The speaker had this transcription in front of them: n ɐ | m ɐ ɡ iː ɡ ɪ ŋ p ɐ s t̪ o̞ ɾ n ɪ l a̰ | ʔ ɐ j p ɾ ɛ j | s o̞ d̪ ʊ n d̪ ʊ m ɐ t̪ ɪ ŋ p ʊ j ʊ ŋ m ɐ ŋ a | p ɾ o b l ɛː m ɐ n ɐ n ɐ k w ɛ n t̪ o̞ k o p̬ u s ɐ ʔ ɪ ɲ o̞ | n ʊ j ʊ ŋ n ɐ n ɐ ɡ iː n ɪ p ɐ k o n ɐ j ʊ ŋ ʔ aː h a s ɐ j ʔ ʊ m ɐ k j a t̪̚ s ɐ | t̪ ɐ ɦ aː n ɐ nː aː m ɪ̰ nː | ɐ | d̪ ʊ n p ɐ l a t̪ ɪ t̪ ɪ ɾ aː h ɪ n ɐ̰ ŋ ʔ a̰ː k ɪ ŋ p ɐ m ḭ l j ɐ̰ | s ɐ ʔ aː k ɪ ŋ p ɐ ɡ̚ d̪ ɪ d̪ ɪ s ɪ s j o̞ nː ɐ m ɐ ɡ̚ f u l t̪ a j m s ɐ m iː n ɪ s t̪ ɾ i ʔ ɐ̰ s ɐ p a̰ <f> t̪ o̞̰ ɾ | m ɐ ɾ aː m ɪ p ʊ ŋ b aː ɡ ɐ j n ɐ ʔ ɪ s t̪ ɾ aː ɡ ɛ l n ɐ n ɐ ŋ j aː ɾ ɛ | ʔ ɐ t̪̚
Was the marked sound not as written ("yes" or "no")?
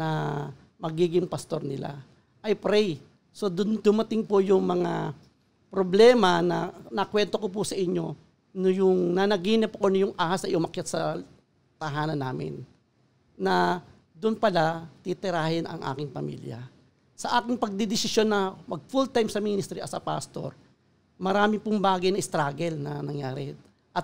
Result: yes